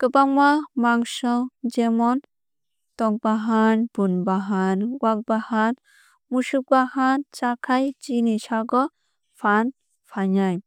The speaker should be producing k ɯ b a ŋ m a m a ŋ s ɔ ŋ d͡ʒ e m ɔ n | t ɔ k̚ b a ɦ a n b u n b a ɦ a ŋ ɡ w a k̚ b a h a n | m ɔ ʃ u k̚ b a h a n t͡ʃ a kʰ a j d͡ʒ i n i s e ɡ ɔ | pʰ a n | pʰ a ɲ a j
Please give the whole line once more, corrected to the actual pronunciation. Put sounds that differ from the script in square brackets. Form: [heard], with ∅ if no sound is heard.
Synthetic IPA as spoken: k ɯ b a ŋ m a m a ŋ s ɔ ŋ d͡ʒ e m ɔ n | t ɔ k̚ b a ɦ a n b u n b a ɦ a [n] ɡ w a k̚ b a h a n | m [u] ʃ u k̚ b a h a n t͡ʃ a kʰ a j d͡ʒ i n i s [a] ɡ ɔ | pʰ a n | pʰ a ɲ a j